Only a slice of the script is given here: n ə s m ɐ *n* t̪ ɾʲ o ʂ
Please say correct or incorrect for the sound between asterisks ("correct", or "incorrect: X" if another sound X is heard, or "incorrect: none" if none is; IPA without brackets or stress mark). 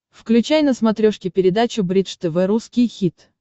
incorrect: none